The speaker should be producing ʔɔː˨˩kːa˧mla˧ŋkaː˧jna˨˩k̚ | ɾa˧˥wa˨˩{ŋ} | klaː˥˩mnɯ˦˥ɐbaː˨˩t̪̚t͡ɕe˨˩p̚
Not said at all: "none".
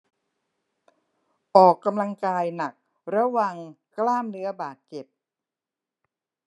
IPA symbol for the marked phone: ŋ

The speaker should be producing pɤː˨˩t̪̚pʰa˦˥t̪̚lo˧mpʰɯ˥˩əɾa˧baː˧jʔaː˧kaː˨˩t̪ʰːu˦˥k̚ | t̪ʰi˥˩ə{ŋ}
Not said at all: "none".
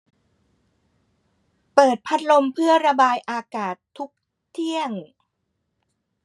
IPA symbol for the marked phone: ŋ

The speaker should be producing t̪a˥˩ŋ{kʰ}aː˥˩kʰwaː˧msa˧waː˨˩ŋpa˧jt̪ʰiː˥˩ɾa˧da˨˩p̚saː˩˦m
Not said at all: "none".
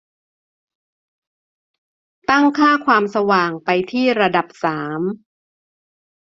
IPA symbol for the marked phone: kʰ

